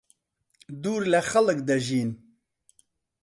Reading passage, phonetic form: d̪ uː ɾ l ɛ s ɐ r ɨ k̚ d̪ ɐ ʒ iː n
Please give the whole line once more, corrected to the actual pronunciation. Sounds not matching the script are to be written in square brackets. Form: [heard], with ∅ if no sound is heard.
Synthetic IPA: d̪ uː ɾ l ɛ [x] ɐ [l] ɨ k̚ d̪ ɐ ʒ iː n